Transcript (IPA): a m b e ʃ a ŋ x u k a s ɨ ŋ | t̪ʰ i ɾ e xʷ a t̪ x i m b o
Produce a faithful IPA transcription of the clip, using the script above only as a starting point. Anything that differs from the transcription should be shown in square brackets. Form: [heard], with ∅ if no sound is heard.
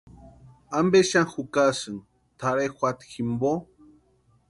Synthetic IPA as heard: a m b e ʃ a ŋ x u k a s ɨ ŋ | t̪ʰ [a] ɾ e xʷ a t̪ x i m b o